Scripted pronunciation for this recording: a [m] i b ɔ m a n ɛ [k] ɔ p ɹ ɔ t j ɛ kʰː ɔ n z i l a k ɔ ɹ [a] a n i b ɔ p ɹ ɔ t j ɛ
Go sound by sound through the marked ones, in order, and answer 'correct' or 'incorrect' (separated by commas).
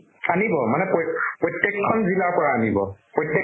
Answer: incorrect, incorrect, correct